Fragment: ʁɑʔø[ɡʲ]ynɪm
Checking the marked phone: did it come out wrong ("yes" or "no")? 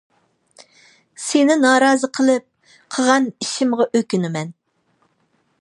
yes